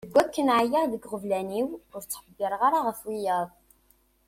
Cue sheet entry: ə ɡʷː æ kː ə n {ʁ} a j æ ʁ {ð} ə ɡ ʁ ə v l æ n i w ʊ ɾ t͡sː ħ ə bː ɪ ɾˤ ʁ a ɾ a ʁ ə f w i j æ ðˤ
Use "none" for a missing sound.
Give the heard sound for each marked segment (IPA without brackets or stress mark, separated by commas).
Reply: ʕ, ð